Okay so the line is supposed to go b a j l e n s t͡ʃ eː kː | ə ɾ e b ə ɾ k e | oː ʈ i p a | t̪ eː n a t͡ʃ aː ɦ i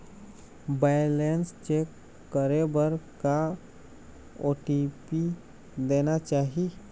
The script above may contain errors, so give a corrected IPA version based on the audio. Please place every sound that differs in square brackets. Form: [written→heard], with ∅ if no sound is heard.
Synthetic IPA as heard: b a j l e n s t͡ʃ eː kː | ə ɾ e b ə ɾ k [e→a] | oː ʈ i p [a→i] | [t̪→d̪] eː n a t͡ʃ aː ɦ i